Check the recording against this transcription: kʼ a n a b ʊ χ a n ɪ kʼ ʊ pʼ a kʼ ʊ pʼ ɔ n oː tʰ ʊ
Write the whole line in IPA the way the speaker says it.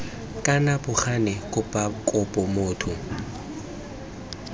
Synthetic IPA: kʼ a n a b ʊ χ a n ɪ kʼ ʊ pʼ a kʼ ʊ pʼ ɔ m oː tʰ ʊ

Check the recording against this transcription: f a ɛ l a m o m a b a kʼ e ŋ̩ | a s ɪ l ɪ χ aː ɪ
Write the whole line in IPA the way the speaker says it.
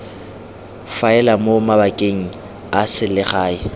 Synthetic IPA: f a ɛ l a m o m a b a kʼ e ŋ̩ | a s ɪ l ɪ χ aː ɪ

